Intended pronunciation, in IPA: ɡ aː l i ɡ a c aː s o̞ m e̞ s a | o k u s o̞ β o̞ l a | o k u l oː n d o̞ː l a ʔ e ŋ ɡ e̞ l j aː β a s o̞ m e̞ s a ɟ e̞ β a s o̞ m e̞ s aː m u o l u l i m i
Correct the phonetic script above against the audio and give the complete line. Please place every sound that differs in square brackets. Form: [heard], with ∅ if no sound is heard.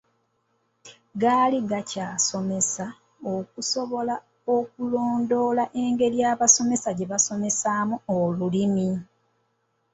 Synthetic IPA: ɡ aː l i ɡ a c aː s o̞ m e̞ s a | o k u s o̞ β o̞ l a | o k u l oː n d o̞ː l a ʔ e ŋ ɡ e̞ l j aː β a s o̞ m e̞ s a ɟ e̞ β a s o̞ m e̞ s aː m u o l u l i m i